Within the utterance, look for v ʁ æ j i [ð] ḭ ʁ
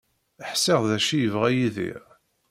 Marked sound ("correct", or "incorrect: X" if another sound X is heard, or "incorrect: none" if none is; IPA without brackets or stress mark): correct